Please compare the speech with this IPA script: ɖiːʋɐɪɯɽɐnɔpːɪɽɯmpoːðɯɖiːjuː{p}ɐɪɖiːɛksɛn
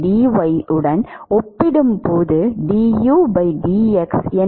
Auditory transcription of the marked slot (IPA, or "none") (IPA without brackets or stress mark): b